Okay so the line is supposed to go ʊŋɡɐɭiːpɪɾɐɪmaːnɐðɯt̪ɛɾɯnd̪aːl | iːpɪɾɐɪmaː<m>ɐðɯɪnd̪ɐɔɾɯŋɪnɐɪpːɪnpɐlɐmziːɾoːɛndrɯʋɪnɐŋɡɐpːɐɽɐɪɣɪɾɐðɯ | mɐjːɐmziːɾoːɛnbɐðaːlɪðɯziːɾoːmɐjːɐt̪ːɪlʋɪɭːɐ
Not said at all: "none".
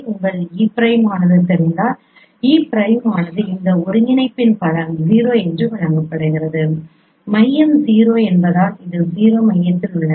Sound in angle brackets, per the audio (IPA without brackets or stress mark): n